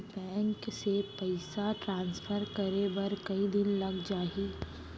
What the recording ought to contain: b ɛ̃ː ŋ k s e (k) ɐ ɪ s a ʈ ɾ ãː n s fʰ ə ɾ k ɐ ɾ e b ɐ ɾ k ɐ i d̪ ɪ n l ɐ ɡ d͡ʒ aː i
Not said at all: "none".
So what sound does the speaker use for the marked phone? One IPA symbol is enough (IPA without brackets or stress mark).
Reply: p